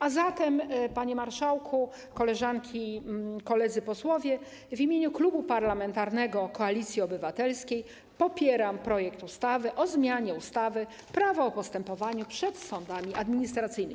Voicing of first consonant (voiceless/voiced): voiced